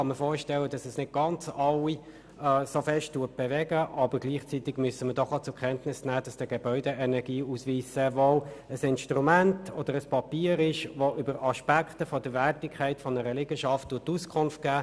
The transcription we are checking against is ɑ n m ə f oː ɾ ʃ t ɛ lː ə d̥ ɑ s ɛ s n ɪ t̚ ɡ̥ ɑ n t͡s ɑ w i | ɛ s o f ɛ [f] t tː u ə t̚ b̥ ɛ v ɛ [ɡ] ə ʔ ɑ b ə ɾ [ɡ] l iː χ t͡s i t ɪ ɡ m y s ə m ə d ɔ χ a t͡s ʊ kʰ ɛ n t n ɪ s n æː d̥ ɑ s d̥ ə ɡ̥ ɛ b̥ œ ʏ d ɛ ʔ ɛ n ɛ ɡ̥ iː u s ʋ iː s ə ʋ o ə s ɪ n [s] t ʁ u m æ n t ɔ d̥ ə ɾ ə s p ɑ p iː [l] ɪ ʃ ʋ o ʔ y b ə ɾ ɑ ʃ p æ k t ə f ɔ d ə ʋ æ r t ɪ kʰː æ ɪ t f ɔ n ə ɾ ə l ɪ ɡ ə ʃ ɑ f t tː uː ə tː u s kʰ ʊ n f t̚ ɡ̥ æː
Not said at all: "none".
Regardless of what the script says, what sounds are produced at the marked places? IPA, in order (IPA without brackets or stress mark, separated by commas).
ʃ, ɡ, ɡ, ʃ, ɾ